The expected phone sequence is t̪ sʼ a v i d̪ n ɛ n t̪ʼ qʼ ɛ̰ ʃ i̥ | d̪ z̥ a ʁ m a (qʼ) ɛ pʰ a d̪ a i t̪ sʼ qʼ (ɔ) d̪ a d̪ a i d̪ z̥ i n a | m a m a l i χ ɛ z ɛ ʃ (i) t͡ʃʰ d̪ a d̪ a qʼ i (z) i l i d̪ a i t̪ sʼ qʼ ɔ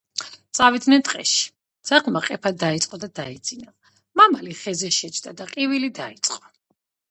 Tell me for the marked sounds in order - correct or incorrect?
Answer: correct, correct, incorrect, incorrect

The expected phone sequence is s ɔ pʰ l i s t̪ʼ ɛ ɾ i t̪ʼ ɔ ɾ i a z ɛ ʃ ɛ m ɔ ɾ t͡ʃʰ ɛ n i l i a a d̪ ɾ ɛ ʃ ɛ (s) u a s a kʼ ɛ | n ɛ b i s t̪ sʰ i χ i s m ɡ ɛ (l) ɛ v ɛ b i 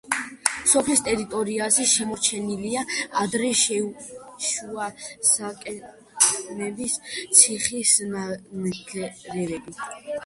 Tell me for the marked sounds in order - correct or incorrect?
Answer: incorrect, incorrect

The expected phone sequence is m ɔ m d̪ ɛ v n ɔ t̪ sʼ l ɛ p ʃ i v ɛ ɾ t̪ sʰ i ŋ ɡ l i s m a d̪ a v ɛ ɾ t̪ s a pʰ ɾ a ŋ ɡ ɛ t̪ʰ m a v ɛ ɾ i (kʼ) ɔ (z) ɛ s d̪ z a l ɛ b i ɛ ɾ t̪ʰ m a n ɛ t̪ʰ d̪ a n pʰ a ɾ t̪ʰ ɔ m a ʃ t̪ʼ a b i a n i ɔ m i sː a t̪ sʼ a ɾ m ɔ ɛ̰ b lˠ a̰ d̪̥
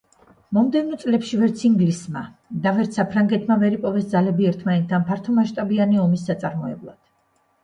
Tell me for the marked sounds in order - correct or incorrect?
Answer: incorrect, incorrect

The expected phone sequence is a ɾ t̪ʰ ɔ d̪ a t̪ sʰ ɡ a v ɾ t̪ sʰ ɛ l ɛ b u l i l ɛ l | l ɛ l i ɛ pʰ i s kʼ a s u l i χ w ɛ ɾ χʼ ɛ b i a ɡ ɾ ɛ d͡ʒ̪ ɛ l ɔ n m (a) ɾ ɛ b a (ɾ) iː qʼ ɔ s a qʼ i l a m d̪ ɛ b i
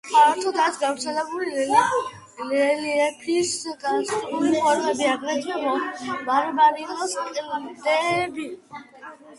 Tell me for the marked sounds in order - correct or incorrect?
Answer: correct, correct

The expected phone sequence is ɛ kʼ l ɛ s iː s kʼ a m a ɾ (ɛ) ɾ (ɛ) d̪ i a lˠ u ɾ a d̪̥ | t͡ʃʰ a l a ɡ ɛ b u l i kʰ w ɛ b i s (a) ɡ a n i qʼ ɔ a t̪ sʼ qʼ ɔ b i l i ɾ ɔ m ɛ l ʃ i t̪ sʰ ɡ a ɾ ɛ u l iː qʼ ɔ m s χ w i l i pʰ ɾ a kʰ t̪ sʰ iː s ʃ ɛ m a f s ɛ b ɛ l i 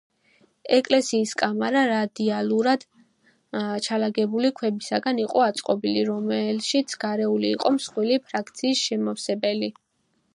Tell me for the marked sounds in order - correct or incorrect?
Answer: incorrect, incorrect, correct

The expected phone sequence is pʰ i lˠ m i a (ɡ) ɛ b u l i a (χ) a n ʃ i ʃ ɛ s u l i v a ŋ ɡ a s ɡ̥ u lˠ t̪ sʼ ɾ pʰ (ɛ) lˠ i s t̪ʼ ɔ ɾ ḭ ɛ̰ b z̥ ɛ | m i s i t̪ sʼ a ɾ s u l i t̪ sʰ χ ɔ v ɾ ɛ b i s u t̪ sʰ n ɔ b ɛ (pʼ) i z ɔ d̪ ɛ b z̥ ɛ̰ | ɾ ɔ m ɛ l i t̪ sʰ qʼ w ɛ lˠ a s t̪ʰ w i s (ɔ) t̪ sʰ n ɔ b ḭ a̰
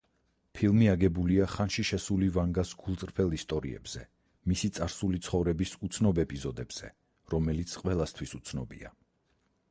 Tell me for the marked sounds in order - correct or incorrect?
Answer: correct, correct, correct, correct, incorrect

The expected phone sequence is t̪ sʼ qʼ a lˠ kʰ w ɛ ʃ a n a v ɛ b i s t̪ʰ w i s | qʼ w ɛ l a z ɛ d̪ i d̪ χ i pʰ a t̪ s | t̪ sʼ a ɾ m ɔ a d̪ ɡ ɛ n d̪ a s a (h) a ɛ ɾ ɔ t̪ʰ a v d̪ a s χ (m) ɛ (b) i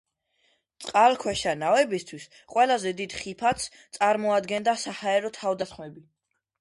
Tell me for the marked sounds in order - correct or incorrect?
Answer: correct, correct, correct

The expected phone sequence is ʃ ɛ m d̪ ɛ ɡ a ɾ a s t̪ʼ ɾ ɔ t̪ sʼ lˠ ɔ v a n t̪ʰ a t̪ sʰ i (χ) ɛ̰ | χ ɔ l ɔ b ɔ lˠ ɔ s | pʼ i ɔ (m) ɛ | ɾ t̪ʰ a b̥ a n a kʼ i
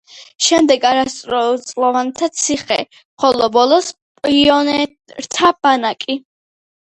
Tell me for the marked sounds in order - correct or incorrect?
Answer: correct, incorrect

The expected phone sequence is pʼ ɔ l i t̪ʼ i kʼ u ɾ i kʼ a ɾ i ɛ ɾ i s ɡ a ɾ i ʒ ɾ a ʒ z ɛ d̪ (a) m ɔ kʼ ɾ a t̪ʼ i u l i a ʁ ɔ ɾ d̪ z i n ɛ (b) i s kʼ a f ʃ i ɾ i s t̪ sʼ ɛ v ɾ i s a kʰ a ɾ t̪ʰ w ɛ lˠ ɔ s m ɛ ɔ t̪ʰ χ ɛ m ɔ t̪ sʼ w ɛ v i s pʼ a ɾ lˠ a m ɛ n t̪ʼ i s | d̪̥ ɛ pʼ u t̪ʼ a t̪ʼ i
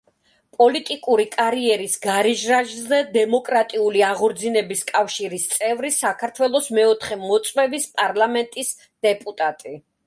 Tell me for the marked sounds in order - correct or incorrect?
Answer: incorrect, correct

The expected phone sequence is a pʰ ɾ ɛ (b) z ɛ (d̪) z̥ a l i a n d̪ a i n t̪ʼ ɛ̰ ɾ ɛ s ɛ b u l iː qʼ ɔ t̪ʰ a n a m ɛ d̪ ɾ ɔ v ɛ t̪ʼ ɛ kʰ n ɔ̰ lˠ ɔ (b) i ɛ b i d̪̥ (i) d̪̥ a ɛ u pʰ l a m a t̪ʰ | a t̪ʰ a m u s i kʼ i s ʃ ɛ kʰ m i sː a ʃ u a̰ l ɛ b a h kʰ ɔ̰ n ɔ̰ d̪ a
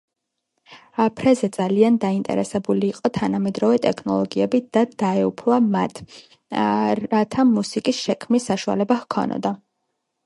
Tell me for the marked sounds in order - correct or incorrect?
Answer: incorrect, correct, incorrect, incorrect

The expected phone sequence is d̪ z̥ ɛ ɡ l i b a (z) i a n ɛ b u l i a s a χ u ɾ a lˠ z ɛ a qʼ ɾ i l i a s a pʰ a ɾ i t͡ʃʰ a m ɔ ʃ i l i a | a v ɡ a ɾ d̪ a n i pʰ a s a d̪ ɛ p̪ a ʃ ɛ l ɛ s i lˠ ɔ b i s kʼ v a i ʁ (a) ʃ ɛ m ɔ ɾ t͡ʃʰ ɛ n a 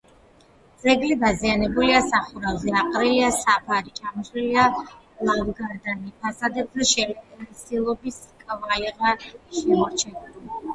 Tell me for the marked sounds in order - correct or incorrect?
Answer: correct, correct

